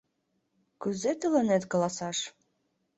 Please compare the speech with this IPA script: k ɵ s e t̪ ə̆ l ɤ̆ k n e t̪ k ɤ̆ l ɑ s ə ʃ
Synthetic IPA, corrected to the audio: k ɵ z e t̪ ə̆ l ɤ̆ n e t̪ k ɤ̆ l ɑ s ɑ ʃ